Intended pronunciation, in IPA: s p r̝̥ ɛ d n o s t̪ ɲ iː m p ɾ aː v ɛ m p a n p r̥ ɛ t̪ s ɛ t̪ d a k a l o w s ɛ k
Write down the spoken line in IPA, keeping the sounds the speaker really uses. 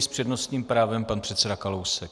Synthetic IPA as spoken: s p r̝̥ ɛ d n o s t̪ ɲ iː m p ɾ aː v ɛ m p a n p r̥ ɛ t̪ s ɛ d a k a l o w s ɛ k